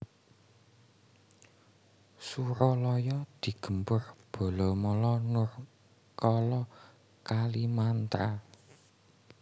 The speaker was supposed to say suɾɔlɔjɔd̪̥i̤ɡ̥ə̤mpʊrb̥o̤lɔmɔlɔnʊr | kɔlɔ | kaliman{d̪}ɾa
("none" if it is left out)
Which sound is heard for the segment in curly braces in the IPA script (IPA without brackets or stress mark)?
t̪